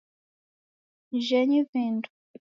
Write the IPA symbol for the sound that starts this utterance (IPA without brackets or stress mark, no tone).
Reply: ʒ